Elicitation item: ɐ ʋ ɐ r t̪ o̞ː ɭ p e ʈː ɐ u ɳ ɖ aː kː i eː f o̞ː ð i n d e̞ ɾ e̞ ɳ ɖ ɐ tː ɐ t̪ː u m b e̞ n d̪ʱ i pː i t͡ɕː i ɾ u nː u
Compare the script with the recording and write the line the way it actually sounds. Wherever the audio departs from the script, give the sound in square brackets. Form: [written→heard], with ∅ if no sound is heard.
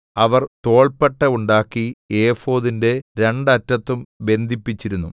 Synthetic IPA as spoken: ɐ ʋ ɐ r t̪ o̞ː ɭ p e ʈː ɐ u ɳ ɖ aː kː i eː f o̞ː ð i n d e̞ ɾ e̞ ɳ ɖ ɐ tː ɐ t̪ː u m b e̞ n d̪ʱ i pː i t͡ɕː i ɾ u nː u